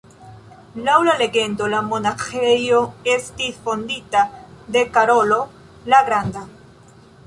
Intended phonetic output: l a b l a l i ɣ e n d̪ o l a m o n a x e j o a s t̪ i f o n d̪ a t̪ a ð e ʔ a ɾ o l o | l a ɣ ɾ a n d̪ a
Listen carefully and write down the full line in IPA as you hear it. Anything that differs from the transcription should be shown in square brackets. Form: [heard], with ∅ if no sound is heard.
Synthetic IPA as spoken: l a [w] l a l [e] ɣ e n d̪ o l a m o n a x e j o [e] s t̪ i f o n d̪ [i] t̪ a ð e [k] a ɾ o l o | l a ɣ ɾ a n d̪ a